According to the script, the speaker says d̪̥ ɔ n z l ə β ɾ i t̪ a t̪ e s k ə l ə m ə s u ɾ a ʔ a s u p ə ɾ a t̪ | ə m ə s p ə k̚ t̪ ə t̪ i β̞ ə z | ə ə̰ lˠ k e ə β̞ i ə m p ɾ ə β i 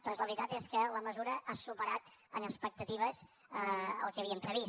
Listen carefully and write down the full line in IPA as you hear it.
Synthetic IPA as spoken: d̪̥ ɔ n z l ə β ɾ i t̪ a t̪ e s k ə l ə m ə z u ɾ ə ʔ a s u p ə ɾ a t̪ | ə n ə s p ə k̚ t̪ ə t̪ i β̞ ə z | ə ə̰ lˠ k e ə β̞ i ə m p ɾ ə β i